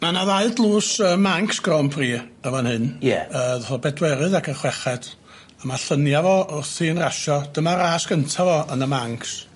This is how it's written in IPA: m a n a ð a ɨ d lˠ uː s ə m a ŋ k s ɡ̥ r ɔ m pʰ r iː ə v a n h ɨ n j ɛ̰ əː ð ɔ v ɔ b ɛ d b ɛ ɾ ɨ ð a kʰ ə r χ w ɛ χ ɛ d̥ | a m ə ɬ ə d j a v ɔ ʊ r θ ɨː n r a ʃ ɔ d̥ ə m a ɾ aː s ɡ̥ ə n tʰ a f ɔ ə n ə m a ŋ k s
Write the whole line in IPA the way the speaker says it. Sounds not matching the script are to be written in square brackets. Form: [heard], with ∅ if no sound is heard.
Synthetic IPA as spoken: m a n a ð a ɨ d lˠ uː s ə m a ŋ k s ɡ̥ r ɔ m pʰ r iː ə v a n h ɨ n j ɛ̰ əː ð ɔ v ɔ b ɛ d [w] ɛ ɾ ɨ ð a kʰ ə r χ w ɛ χ ɛ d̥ | a m [a] ɬ ə [n] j a v ɔ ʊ r θ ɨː n r a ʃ ɔ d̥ ə m a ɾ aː s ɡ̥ ə n tʰ a [v] ɔ ə n ə m a ŋ k s